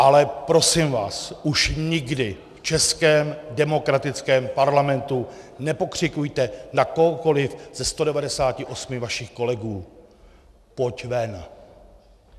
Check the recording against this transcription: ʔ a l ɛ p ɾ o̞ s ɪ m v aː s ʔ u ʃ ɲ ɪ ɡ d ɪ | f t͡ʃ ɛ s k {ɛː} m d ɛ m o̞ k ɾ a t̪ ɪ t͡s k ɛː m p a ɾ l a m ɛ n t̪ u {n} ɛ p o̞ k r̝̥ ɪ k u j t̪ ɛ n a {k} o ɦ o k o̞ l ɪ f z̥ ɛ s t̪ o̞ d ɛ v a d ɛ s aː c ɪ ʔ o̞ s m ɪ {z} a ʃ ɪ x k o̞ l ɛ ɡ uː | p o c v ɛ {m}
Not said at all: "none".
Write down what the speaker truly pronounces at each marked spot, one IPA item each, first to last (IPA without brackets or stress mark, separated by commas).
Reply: ɛː, n, k, v, n